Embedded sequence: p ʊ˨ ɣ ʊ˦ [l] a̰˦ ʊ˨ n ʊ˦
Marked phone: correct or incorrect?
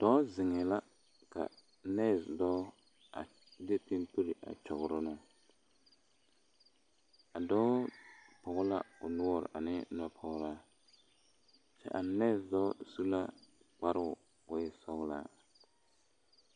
correct